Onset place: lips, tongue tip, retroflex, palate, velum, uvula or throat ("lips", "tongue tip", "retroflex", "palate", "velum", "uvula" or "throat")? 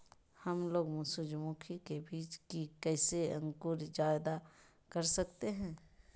throat